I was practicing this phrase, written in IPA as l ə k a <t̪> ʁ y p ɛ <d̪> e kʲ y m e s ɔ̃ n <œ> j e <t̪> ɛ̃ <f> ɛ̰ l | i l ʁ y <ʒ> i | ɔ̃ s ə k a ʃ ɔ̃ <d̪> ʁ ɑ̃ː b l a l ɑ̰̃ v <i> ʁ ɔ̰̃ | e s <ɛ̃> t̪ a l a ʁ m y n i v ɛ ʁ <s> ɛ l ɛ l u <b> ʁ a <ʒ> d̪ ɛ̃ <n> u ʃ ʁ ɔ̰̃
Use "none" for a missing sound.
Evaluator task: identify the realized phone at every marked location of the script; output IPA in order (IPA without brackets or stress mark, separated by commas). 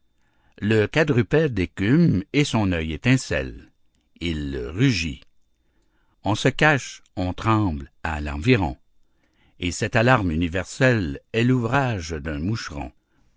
d̪, d̪, œ, t̪, s, ʒ, t̪, i, ɛ, s, v, ʒ, m